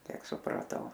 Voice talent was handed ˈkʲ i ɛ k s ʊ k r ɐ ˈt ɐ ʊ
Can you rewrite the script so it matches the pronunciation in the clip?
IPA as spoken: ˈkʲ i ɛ k s ʊ p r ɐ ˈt ɐ ʊ